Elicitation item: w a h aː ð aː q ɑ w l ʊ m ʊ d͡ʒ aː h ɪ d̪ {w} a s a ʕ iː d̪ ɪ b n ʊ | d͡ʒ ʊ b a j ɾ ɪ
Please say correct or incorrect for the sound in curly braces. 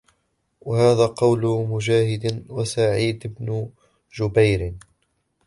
correct